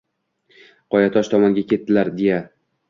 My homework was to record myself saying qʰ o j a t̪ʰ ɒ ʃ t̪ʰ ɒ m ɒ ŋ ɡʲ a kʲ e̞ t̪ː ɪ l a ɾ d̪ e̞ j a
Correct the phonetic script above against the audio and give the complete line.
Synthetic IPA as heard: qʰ ɒ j a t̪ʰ ɒ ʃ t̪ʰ ɒ m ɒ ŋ ɡʲ a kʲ e̞ t̪ː ɪ l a ɾ d̪ e̞ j a